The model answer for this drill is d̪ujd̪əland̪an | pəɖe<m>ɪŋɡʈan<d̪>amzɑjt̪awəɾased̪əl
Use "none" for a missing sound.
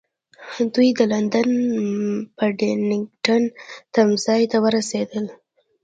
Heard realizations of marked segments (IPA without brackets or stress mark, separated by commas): n, t̪